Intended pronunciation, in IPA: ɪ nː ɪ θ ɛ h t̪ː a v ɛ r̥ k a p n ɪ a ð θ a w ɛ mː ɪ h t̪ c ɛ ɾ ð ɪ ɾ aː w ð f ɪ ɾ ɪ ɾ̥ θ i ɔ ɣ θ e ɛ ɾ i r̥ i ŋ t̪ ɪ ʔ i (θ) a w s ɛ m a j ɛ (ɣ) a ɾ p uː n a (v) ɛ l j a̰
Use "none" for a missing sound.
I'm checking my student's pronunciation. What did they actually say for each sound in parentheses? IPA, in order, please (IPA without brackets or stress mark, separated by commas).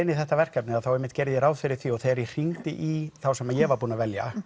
θ, v, v